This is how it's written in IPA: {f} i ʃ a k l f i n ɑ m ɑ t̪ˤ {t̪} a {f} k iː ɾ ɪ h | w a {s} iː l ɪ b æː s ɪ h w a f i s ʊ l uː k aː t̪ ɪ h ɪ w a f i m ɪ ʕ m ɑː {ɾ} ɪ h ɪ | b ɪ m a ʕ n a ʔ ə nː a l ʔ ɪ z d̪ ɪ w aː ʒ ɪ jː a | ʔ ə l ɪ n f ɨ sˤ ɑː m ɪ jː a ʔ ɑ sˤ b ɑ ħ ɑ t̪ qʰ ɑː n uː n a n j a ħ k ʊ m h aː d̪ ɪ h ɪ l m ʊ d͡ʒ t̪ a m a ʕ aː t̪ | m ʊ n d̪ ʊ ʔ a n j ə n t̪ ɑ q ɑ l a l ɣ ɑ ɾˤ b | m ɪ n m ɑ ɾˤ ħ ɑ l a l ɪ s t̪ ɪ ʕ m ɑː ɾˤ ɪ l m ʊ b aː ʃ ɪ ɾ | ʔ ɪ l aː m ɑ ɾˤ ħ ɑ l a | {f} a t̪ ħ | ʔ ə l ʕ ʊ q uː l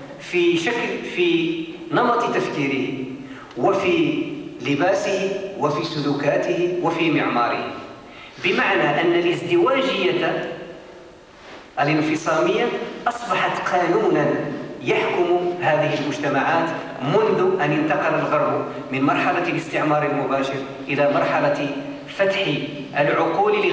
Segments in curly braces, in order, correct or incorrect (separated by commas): correct, correct, correct, incorrect, correct, correct